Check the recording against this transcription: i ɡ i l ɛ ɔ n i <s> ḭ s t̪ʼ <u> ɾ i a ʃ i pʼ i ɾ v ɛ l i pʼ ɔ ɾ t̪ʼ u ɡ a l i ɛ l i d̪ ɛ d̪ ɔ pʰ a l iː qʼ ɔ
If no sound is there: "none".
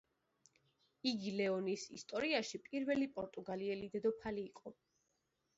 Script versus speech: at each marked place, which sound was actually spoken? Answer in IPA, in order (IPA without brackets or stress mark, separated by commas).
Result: s, ɔ